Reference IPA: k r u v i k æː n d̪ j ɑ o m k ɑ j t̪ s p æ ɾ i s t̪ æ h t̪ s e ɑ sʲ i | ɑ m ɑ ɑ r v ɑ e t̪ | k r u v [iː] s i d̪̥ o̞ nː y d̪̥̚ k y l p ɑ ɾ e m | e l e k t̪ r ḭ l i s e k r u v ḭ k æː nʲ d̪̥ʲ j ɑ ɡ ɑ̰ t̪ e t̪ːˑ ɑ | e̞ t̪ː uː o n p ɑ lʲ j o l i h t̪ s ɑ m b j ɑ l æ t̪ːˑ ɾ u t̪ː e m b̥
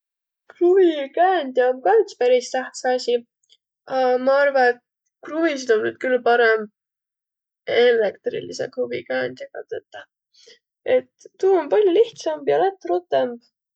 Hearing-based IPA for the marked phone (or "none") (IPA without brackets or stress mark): i